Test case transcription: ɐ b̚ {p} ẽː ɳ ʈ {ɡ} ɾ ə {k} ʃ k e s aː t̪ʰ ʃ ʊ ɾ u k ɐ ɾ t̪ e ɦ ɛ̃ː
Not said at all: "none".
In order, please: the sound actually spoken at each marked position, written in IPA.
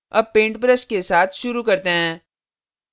p, b, none

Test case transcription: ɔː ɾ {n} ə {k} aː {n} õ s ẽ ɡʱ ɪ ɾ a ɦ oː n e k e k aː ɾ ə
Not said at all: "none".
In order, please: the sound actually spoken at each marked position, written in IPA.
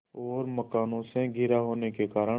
m, k, n

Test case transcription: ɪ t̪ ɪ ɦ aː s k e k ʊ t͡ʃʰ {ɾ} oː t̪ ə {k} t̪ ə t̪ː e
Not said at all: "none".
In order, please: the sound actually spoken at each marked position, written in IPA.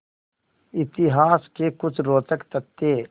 ɾ, k

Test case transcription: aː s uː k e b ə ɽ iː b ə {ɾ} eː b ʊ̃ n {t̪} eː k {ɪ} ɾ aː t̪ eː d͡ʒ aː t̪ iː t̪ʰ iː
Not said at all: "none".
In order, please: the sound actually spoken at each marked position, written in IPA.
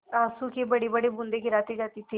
ɽ, d̪, ɪ

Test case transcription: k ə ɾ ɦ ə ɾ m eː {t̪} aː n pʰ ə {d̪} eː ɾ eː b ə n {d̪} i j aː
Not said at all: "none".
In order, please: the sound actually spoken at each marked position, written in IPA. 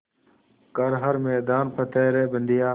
d̪, t̪, d̪

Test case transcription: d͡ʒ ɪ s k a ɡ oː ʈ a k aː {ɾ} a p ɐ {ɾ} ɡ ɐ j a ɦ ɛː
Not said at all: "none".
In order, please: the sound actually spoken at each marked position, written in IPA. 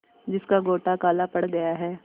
l, ɽ

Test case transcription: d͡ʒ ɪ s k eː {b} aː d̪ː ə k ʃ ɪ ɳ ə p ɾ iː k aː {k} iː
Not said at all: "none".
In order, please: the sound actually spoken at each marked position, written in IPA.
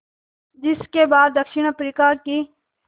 b, k

